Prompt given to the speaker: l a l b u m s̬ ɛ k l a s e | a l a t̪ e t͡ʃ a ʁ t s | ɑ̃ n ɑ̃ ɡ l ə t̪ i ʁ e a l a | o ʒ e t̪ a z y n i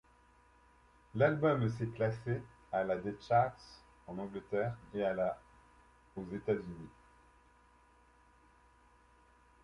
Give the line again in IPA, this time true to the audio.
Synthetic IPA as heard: l a l b ɔ m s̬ ɛ k l a s e | a l a d̪ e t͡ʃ a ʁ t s | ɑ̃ n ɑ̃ ɡ l ə t̪ ɛ ʁ e a l a | o z e t̪ a z y n i